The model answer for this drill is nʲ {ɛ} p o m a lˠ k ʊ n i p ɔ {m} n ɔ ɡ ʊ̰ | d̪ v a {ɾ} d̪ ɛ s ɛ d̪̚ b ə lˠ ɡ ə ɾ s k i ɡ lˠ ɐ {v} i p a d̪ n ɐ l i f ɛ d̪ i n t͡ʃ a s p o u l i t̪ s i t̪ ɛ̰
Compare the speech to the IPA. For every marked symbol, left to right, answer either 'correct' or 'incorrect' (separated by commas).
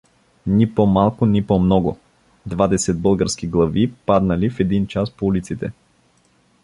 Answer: incorrect, correct, incorrect, correct